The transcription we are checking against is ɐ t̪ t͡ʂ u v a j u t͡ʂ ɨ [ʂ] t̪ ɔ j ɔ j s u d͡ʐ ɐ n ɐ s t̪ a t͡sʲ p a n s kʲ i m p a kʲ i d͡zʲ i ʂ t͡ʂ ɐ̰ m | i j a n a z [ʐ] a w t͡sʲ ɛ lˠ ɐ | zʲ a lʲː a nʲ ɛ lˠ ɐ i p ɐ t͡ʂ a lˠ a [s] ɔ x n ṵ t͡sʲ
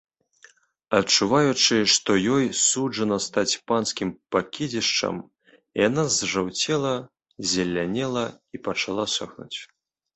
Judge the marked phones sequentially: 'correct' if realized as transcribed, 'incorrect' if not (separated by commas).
correct, correct, correct